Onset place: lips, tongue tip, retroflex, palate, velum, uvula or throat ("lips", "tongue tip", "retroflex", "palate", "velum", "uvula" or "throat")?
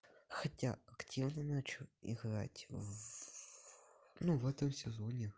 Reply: velum